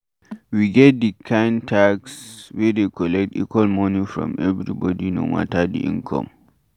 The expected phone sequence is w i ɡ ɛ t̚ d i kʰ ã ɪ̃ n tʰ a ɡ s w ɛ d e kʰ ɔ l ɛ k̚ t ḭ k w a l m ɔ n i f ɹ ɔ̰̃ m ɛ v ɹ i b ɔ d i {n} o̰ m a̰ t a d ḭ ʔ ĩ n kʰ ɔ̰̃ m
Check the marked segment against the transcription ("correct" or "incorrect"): correct